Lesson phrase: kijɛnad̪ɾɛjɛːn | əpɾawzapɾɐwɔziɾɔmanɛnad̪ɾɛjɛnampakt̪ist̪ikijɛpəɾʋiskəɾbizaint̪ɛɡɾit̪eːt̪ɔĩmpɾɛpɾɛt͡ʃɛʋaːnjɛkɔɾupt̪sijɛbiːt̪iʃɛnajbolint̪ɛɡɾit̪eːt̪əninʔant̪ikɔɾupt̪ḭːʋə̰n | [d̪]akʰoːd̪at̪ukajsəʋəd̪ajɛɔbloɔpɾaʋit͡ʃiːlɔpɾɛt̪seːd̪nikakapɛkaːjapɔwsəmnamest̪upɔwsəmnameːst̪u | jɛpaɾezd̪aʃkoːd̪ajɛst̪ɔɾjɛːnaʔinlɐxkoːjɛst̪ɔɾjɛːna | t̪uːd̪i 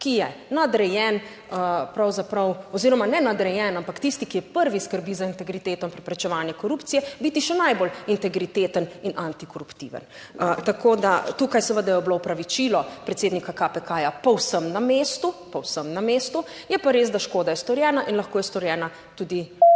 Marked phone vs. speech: incorrect: t̪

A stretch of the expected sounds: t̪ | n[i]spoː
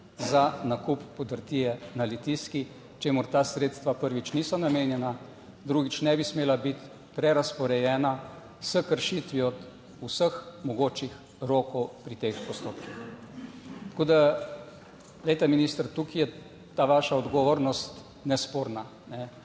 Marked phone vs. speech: incorrect: ɛ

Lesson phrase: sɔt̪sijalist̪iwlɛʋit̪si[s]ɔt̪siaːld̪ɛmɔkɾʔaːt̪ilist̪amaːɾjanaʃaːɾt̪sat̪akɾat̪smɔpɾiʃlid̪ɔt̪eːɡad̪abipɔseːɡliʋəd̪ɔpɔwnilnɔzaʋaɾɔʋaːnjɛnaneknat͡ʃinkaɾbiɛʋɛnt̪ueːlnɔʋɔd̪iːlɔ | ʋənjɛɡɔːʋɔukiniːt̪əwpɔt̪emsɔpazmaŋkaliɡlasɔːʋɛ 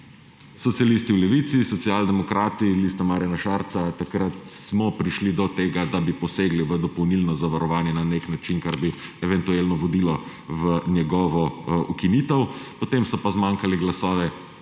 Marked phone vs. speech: correct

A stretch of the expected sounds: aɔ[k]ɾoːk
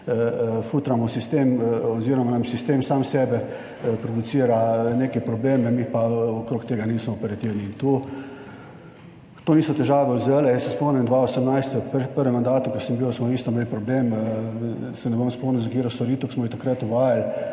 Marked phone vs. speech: correct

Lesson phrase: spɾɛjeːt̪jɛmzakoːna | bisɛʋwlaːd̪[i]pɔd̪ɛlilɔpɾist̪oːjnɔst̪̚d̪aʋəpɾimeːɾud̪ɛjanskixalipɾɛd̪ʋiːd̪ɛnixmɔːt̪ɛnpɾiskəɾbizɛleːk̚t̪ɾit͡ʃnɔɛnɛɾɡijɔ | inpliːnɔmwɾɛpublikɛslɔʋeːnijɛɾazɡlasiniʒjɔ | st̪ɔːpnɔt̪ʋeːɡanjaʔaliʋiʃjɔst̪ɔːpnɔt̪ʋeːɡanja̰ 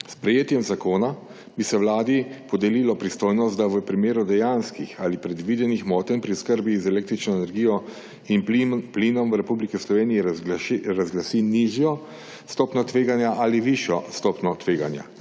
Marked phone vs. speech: correct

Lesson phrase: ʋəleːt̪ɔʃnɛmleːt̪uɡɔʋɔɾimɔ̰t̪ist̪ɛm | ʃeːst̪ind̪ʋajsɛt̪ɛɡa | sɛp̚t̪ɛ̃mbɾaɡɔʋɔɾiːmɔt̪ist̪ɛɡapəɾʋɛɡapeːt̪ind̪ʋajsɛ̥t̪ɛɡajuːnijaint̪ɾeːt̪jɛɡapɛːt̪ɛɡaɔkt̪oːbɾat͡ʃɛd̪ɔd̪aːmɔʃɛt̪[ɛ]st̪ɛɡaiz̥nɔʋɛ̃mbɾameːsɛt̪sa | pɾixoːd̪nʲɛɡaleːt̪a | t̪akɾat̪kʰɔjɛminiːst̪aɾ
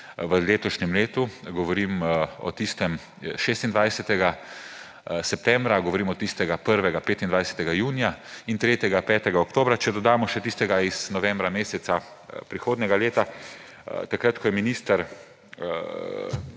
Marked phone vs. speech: incorrect: i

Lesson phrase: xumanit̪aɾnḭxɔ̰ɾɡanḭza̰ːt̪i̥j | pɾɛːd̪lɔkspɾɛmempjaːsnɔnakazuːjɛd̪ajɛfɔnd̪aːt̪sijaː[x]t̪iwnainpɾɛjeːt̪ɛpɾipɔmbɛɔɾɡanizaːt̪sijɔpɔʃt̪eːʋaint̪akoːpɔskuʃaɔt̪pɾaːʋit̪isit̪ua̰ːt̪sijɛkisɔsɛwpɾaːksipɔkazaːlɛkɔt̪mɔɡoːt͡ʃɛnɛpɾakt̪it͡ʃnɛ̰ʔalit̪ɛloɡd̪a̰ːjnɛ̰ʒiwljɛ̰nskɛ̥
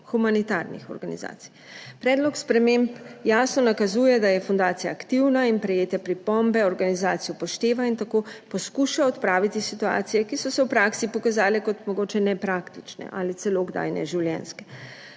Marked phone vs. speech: incorrect: k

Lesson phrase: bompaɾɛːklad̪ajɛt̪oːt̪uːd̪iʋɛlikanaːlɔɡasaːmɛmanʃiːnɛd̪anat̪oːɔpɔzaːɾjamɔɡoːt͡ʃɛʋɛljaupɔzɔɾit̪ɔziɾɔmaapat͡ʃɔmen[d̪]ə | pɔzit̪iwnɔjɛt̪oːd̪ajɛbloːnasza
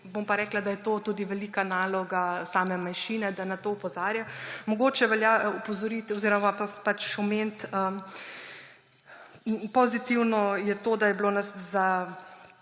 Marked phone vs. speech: incorrect: t̪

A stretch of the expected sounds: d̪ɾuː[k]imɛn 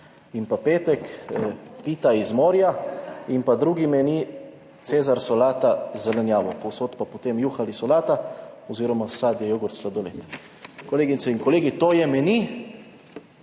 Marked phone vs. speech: incorrect: ɡ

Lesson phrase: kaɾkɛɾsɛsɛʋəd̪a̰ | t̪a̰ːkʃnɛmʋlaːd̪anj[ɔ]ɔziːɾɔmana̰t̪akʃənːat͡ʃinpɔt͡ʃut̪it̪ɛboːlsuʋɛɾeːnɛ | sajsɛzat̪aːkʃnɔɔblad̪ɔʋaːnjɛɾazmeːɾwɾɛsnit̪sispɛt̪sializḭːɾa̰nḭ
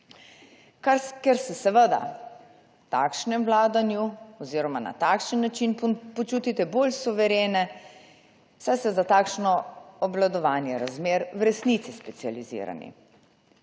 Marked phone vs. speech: incorrect: u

